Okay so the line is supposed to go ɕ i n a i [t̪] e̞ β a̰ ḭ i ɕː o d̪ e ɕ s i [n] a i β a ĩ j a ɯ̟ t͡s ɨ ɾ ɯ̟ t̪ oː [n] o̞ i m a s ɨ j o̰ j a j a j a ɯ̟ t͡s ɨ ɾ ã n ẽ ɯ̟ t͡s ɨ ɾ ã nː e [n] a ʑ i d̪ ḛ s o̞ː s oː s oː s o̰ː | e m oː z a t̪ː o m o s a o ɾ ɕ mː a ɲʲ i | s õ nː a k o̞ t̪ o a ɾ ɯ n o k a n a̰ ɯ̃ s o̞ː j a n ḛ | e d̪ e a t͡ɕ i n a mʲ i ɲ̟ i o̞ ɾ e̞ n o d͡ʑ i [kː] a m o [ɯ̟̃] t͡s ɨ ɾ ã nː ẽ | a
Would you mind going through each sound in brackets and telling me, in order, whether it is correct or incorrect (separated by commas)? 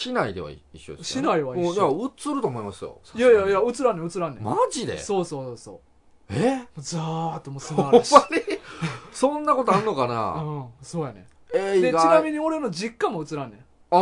incorrect, correct, incorrect, incorrect, correct, incorrect